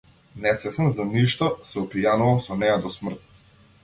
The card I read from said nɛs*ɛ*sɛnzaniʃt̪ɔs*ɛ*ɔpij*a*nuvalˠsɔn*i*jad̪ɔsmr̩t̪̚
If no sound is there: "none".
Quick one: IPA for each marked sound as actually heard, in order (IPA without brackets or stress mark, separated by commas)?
ɛ, ɛ, a, ɛ